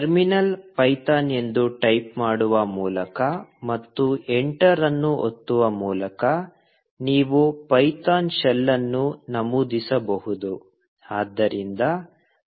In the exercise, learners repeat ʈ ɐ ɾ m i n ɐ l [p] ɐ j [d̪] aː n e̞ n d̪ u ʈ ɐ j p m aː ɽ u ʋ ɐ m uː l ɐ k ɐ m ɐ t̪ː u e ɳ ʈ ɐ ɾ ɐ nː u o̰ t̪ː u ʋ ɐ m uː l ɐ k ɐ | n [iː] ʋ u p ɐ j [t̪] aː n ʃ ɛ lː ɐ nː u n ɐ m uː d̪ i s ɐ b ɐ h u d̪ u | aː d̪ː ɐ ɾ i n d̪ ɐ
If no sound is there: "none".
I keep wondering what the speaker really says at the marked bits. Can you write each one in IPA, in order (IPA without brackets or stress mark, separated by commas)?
p, t̪, iː, t̪